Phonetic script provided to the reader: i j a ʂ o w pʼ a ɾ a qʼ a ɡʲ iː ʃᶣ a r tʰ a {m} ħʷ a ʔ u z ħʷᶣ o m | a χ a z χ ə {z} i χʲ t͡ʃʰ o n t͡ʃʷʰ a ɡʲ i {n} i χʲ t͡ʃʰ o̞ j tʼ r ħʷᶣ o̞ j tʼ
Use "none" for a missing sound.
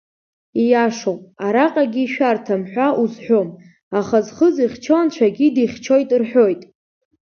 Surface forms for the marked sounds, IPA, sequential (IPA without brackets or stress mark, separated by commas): m, z, d